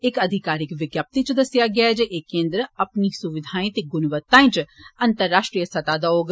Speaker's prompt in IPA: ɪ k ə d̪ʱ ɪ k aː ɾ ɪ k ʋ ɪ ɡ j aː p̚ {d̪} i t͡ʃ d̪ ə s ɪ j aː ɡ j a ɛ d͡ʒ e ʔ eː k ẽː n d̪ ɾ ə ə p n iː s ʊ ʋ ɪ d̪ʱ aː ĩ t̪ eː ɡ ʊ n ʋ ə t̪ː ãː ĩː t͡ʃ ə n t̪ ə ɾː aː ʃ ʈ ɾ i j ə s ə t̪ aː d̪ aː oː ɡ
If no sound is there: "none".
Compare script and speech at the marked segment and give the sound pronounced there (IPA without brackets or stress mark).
t̪